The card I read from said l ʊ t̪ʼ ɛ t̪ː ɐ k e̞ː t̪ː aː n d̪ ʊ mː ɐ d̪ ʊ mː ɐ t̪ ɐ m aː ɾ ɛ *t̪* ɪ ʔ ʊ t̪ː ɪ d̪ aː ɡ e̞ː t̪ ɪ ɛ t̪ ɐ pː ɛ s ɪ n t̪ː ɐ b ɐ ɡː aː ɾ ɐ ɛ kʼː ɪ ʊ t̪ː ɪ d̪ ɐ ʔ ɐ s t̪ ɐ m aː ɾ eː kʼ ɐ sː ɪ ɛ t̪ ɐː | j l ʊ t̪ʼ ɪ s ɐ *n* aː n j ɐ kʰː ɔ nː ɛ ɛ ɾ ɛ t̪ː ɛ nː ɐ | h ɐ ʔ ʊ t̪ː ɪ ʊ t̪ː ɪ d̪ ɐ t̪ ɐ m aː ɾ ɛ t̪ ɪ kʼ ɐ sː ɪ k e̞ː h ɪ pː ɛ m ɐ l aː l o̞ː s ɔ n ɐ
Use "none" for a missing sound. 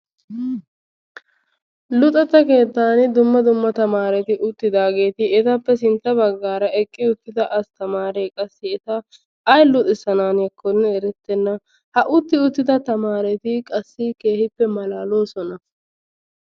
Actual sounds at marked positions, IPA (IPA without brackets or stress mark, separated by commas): t̪, n